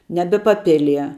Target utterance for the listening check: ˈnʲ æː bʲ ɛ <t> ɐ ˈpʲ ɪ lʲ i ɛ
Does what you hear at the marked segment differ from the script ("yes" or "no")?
yes